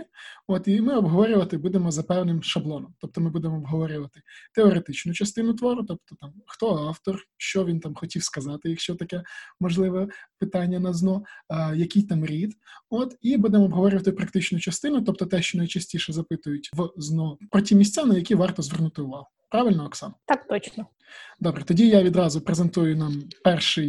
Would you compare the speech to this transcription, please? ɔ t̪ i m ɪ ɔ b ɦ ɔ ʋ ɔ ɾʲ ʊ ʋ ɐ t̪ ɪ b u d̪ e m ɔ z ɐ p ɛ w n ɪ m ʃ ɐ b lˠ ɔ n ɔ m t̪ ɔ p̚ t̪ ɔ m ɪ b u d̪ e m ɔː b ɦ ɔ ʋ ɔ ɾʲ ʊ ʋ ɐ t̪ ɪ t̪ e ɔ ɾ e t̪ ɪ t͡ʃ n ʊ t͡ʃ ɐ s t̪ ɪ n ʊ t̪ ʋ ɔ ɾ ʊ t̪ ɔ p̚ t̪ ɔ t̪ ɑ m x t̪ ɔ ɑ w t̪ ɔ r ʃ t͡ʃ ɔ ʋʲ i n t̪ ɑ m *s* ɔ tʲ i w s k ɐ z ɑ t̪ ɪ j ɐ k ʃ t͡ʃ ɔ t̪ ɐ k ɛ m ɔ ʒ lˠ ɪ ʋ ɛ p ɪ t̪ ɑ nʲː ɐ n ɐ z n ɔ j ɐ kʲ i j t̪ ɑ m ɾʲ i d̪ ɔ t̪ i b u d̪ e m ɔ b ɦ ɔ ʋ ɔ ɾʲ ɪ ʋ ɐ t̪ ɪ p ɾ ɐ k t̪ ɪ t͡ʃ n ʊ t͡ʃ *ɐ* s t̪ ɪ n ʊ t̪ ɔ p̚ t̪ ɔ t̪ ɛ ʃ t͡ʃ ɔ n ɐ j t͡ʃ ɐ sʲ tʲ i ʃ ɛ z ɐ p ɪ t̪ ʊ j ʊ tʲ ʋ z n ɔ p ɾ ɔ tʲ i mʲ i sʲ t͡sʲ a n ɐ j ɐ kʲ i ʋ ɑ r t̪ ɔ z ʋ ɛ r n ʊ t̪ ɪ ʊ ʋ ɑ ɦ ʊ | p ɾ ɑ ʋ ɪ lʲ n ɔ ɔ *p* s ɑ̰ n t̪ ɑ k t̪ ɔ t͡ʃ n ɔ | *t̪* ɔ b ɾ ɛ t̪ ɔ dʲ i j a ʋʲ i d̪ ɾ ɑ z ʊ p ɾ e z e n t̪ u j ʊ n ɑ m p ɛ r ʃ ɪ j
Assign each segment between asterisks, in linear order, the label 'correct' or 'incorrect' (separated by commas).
incorrect, correct, incorrect, incorrect